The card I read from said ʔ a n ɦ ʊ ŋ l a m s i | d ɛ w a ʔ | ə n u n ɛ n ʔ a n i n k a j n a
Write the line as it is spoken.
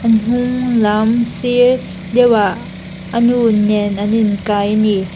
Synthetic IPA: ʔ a n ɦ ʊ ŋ l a m s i | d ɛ w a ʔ | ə n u n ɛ n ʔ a n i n k a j n i